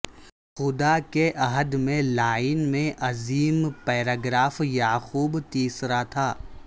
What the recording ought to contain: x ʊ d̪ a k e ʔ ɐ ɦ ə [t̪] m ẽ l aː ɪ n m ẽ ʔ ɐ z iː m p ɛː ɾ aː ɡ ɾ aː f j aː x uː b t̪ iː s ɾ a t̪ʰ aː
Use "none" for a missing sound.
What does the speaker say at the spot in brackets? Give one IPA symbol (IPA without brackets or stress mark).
d̪